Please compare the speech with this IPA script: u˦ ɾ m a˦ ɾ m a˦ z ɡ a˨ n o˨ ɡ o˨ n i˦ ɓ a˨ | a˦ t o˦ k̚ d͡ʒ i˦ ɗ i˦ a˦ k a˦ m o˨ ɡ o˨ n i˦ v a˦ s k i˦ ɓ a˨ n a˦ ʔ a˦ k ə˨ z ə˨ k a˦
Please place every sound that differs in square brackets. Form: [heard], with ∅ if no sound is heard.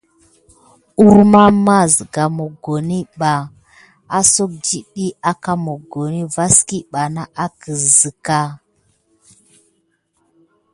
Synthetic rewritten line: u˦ ɾ m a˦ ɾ m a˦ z ɡ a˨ [m] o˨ ɡ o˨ n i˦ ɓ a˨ | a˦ [s] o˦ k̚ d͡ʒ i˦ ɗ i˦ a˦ k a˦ m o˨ ɡ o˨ n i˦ v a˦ s k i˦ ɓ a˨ n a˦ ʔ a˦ k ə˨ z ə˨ k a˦